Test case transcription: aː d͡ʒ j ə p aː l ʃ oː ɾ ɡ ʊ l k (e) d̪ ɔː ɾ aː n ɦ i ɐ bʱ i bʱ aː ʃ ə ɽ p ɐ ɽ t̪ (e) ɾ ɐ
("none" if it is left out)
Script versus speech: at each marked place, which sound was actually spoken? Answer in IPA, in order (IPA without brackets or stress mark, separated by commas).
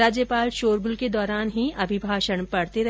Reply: e, e